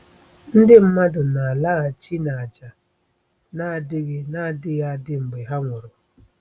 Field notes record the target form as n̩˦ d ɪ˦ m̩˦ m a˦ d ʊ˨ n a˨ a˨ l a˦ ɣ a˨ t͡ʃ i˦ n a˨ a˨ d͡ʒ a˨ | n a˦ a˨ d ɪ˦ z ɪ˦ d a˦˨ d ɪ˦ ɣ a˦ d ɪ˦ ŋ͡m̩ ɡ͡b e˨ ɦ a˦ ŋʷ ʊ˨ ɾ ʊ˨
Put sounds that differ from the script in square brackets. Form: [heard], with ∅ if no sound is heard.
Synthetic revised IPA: n̩˦ d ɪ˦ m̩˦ m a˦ d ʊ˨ n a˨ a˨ l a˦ ɣ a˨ t͡ʃ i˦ n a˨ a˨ d͡ʒ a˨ | n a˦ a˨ d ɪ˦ [ɣ] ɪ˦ [n] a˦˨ d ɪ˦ ɣ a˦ d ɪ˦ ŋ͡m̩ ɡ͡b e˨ ɦ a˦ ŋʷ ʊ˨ ɾ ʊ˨